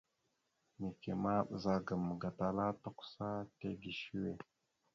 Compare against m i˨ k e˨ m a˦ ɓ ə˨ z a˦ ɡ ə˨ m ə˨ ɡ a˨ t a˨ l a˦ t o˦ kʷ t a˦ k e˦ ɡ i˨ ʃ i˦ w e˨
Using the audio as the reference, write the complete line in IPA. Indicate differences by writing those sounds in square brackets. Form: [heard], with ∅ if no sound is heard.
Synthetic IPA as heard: m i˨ k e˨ m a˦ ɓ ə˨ z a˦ ɡ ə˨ m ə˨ ɡ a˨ t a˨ l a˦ t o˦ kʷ [s] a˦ [t] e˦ ɡ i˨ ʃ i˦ w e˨